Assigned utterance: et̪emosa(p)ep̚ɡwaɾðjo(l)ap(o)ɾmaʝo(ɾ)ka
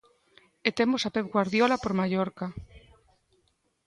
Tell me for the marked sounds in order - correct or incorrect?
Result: correct, correct, correct, correct

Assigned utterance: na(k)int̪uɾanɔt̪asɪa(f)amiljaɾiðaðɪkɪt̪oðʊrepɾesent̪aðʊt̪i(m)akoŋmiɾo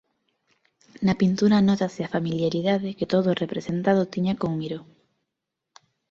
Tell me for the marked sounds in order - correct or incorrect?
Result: incorrect: p, correct, incorrect: ɲ

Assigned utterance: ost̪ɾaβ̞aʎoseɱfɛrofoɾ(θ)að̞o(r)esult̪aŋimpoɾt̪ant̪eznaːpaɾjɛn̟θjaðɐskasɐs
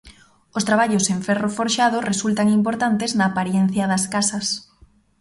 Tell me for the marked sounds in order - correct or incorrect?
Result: incorrect: ʃ, correct

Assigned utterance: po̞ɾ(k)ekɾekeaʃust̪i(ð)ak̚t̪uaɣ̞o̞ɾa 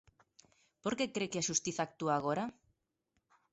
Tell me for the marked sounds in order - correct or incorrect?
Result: correct, incorrect: θ

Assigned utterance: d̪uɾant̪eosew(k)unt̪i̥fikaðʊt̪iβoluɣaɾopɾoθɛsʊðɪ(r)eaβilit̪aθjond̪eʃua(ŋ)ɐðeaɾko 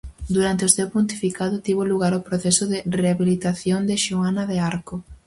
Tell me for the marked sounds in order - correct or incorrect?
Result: incorrect: p, correct, incorrect: n

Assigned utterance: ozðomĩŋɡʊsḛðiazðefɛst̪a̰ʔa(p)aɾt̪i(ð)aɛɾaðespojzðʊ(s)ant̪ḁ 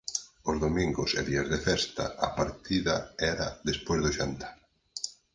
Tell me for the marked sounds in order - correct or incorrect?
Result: correct, correct, incorrect: ʃ

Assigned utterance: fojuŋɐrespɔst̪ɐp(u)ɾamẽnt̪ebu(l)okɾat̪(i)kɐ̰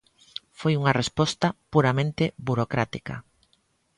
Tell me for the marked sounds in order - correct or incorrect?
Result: correct, incorrect: ɾ, correct

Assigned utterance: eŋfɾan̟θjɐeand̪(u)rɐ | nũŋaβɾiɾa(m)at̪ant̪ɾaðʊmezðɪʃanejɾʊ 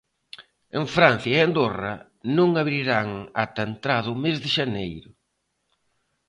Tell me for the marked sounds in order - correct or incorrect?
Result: incorrect: o, incorrect: ŋ

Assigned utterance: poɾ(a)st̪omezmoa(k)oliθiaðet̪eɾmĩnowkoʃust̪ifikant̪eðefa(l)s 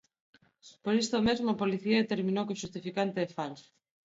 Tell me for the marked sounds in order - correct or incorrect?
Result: incorrect: i, incorrect: p, correct

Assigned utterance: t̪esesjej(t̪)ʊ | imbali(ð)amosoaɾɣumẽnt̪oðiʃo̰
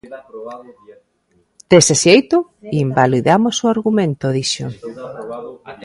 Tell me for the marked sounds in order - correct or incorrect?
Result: correct, correct

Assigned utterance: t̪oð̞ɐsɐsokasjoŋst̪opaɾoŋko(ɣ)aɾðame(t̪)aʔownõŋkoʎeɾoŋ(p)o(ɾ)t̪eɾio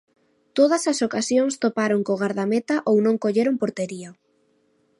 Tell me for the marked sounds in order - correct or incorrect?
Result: correct, correct, correct, correct

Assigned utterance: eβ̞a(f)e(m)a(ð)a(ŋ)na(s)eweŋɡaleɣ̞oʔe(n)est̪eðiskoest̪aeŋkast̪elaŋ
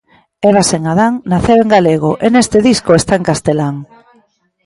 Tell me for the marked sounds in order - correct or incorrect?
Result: incorrect: s, incorrect: ŋ, correct, correct, incorrect: θ, correct

